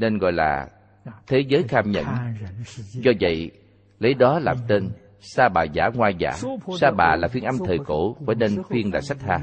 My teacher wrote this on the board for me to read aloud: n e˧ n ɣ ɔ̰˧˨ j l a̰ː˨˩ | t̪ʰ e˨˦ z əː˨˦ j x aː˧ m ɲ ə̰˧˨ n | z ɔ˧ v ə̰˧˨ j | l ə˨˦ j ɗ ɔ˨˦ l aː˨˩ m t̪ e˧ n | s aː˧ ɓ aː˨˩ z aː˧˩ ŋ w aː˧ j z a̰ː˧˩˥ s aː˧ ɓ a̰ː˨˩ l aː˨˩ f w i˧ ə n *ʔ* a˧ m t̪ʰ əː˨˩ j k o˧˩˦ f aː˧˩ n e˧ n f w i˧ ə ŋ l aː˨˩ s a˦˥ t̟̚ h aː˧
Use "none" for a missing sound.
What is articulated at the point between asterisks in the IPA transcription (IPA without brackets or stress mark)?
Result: ʔ